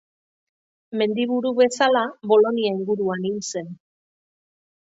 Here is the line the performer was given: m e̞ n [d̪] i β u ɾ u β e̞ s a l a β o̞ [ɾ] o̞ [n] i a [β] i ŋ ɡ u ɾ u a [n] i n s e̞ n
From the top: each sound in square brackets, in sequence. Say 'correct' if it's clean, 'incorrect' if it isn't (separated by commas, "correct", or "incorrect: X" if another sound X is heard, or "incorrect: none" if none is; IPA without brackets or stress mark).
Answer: correct, incorrect: l, correct, incorrect: none, correct